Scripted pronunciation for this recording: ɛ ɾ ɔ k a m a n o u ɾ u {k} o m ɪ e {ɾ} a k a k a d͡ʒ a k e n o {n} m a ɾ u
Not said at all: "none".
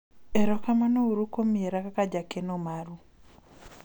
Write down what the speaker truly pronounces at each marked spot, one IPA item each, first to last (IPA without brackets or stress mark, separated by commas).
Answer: k, ɾ, none